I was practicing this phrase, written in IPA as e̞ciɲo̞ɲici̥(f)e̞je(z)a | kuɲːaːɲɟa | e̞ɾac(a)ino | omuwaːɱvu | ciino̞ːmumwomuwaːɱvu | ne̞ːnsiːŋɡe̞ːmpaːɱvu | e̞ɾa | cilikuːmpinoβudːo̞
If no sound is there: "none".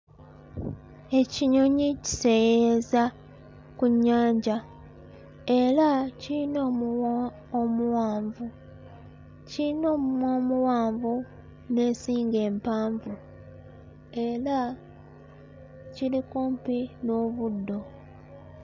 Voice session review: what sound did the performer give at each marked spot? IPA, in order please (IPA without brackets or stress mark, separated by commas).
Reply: s, z, i